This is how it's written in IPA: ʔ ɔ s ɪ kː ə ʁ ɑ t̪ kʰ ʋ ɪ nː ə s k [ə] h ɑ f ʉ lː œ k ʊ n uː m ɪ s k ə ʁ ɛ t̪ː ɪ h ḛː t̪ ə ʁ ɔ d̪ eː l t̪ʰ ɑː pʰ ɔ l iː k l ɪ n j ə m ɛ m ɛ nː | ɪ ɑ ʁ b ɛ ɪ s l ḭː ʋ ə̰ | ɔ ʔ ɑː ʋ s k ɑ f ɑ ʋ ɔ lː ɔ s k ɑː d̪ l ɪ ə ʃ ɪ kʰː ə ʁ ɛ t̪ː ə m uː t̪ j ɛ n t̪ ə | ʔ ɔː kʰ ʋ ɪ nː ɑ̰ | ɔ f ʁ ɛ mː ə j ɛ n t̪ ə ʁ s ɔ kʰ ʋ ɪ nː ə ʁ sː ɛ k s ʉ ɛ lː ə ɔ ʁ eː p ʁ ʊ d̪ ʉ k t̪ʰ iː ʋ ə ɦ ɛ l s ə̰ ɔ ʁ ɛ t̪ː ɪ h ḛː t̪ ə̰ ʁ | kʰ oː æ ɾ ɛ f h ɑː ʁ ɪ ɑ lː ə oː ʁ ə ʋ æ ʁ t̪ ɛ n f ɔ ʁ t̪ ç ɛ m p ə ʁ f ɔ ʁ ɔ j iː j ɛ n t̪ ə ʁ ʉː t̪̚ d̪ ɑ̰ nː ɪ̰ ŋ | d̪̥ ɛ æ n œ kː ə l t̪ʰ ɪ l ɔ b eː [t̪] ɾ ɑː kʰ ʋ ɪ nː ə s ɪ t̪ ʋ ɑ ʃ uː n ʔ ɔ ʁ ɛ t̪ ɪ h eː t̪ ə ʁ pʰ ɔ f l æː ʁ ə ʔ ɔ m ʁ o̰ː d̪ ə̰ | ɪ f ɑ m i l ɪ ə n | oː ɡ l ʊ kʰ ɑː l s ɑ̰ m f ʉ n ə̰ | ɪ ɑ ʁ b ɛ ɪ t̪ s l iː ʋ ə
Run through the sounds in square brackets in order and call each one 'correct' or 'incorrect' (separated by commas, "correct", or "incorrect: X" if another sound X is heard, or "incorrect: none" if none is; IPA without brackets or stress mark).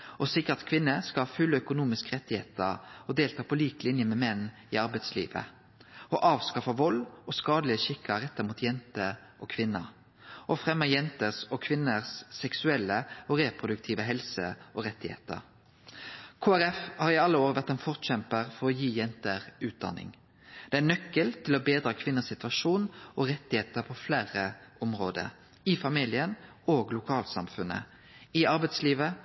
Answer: incorrect: ɑ, incorrect: d̪